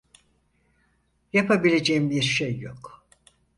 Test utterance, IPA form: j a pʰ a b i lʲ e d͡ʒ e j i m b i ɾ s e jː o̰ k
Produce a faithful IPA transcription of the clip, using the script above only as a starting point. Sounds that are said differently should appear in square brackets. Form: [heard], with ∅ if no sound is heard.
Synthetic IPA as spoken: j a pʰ a b i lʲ e d͡ʒ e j i m b i ɾ [ʃ] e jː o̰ k